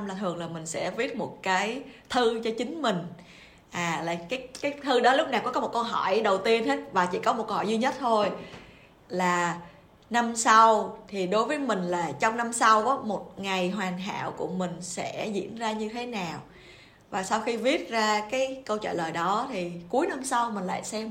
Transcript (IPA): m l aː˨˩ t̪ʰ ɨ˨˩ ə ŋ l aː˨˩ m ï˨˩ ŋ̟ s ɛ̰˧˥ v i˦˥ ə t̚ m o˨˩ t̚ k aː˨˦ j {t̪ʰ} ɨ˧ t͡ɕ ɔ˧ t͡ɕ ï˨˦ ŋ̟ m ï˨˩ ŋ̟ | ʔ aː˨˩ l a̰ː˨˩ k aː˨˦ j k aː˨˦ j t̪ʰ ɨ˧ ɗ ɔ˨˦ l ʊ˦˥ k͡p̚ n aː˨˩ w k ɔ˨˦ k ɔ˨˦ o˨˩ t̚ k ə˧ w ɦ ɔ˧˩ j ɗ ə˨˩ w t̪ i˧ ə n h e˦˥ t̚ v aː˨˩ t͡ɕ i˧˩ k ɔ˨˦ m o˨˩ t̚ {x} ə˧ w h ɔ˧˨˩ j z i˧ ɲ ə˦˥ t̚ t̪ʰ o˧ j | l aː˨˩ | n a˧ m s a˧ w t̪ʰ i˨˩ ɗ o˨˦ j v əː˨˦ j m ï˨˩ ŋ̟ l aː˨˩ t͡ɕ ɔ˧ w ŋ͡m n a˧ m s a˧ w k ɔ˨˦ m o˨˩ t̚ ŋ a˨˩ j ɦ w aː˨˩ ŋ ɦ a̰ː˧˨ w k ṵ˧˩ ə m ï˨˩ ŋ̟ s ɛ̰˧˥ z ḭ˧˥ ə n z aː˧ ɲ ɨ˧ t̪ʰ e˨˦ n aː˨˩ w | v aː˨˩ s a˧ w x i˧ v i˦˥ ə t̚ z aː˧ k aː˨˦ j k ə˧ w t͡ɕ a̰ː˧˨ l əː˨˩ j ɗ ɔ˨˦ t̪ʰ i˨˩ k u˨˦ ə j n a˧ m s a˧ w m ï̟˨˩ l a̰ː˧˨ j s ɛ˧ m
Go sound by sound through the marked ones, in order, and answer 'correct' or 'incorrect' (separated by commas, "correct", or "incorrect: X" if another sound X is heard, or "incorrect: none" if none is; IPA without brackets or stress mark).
correct, incorrect: k